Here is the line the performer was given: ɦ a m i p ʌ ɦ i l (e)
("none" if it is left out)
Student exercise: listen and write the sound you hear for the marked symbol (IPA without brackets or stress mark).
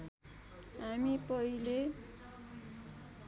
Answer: e